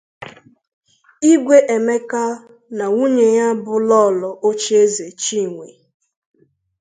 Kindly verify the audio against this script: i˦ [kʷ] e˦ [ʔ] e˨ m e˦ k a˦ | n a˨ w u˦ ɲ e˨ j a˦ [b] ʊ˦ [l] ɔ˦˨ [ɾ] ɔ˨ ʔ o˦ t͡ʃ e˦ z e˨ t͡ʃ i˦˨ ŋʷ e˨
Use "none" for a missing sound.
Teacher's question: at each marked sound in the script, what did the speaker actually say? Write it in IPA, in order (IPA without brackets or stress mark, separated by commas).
ɡʷ, ʔ, b, l, l